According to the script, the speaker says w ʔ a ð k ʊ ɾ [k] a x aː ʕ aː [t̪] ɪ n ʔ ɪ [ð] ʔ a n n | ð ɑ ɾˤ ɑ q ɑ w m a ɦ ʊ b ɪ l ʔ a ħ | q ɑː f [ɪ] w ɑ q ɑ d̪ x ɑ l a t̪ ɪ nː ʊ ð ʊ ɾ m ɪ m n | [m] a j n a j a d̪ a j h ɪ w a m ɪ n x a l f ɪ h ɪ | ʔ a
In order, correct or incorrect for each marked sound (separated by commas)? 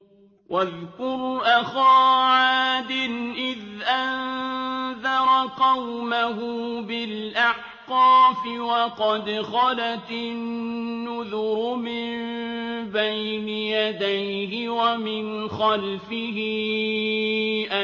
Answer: incorrect, incorrect, correct, correct, incorrect